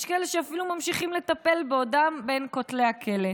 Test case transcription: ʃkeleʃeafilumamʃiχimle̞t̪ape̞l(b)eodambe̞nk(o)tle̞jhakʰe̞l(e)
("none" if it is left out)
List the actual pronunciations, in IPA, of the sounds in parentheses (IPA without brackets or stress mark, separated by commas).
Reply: b, o, e